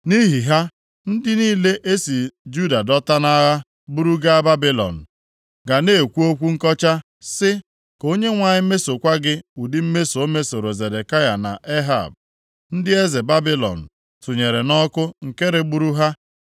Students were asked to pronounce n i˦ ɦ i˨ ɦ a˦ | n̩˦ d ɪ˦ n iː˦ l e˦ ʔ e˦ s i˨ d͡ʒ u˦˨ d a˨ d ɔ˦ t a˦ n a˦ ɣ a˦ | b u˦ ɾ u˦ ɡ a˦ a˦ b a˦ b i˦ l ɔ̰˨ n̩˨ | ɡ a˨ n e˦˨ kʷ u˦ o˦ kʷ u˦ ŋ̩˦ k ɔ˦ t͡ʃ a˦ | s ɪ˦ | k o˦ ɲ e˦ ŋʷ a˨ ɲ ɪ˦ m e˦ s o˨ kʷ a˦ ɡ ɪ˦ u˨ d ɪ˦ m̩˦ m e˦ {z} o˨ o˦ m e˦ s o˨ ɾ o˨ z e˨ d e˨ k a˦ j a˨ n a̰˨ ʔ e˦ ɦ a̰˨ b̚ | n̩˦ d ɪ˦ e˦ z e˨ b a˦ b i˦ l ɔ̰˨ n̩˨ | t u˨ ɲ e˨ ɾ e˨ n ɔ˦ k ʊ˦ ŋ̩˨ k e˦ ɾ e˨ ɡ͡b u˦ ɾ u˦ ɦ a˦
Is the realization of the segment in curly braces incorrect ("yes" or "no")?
yes